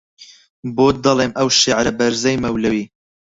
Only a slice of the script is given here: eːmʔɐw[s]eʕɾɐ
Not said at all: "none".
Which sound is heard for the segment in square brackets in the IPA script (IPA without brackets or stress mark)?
ʃ